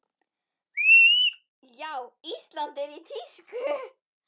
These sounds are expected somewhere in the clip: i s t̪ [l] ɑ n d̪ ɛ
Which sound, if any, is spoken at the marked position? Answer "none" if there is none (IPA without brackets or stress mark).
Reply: l